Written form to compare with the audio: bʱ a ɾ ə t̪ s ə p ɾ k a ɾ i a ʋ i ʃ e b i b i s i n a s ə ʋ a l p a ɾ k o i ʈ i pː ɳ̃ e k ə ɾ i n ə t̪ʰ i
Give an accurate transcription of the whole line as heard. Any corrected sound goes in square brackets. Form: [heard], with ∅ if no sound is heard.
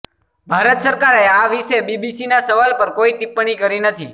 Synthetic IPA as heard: bʱ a ɾ ə t̪ s ə [∅] ɾ k a ɾ [e] a ʋ i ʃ e b i b i s i n a s ə ʋ a l p [ə] ɾ k o i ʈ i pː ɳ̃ [i] k ə ɾ i n ə t̪ʰ i